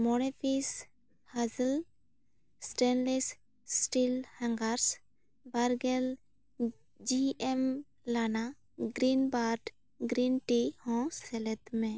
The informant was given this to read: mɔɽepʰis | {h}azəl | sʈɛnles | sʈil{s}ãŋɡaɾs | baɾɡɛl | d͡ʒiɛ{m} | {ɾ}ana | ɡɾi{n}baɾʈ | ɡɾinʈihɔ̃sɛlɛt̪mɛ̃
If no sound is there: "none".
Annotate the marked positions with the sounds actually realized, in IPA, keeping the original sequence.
h, h, m, l, n

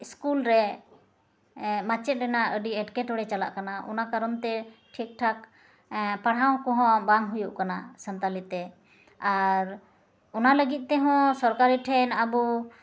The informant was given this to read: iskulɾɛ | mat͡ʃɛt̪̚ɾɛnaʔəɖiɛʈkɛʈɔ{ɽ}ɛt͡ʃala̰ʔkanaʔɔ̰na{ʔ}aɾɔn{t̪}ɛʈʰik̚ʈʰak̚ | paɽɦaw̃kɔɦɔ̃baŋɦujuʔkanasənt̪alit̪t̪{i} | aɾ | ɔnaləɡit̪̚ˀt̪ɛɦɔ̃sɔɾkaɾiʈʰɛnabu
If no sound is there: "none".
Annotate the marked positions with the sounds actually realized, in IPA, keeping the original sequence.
ɽ, k, t̪, ɛ

